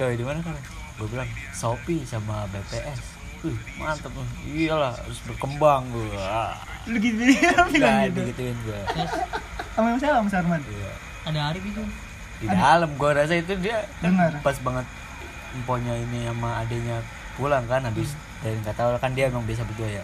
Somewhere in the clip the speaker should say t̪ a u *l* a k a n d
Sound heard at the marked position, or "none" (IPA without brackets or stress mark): l